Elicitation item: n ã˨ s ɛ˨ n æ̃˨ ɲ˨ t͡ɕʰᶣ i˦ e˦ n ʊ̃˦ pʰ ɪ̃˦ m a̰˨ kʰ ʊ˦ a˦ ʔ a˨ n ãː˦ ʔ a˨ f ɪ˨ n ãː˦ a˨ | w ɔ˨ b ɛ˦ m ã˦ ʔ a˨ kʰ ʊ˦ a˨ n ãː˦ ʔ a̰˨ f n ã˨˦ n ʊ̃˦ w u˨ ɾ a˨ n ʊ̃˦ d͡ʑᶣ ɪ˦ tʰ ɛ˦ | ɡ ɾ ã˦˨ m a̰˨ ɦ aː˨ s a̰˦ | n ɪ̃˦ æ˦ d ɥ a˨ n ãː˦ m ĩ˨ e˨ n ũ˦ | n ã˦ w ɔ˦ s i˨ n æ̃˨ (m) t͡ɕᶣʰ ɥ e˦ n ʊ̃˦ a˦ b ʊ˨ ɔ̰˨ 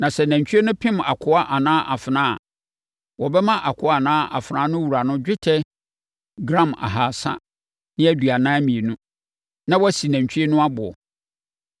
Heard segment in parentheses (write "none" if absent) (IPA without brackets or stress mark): ɲ